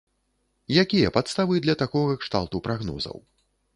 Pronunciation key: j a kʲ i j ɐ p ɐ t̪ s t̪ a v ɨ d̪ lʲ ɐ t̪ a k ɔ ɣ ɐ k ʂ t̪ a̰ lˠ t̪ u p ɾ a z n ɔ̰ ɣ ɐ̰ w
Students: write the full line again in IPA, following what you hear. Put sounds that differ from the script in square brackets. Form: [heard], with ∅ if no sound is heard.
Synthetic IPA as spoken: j a kʲ i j ɐ p [a] t̪ s t̪ a v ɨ d̪ lʲ ɐ t̪ a k ɔ ɣ ɐ k ʂ t̪ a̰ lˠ t̪ u p ɾ a [ɣ] n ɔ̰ [z] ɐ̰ w